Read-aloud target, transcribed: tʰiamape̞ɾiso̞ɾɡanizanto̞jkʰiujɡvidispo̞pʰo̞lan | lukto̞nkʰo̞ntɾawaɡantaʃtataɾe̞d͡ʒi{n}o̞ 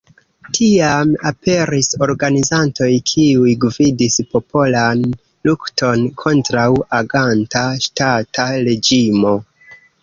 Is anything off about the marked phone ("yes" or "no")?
yes